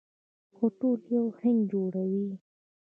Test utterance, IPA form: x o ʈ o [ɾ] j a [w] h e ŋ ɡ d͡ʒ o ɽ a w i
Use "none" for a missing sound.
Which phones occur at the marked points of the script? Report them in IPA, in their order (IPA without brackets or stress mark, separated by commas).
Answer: l, w